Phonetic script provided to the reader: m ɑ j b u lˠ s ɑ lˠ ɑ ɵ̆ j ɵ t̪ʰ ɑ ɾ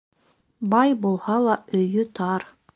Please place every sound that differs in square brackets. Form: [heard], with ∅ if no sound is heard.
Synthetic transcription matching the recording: [b] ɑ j b u lˠ [h] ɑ lˠ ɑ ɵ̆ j ɵ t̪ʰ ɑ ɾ